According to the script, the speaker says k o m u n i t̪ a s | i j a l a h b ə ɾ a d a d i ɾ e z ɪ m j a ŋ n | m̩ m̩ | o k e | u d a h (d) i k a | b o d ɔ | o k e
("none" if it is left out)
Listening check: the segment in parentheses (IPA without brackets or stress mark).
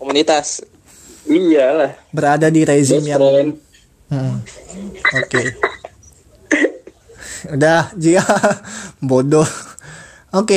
d͡ʒ